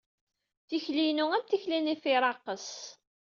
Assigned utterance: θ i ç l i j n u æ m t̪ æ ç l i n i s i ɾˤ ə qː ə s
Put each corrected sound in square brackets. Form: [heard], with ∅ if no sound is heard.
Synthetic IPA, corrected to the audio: θ i ç l i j n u æ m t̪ [i] ç l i n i [f] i ɾˤ [ɑ] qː ə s